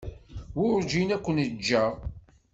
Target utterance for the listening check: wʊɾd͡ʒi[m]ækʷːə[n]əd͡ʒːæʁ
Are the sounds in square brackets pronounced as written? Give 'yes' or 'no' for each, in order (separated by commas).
no, yes